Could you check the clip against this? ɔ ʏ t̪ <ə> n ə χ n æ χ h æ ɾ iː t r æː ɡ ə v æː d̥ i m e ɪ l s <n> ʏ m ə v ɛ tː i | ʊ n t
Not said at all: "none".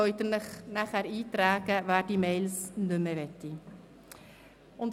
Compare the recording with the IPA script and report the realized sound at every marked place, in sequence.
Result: ə, n

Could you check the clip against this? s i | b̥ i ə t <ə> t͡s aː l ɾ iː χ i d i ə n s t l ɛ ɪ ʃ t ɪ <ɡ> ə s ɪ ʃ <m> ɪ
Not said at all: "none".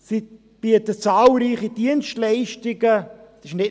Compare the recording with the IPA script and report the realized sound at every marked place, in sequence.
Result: ə, ɡ, n

